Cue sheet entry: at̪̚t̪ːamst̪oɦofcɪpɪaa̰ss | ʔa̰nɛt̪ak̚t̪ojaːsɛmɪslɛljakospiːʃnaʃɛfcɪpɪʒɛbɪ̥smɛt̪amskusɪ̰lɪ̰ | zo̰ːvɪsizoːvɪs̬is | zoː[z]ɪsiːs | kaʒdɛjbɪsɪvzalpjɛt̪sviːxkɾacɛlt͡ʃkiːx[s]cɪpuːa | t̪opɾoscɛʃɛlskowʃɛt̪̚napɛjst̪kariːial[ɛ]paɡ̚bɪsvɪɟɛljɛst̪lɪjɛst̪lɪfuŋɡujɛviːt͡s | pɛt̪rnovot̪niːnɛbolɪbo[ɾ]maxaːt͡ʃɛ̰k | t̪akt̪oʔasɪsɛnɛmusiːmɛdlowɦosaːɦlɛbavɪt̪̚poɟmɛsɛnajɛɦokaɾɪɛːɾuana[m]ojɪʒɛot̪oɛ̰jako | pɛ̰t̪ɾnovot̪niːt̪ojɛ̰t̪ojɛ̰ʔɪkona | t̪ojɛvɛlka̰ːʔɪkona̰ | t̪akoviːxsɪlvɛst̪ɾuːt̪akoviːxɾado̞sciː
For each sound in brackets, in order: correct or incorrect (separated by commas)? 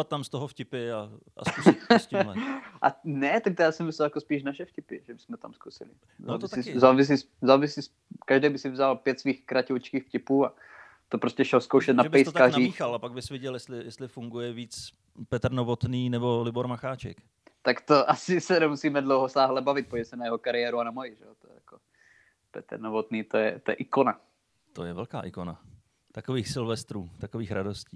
incorrect, incorrect, incorrect, correct, correct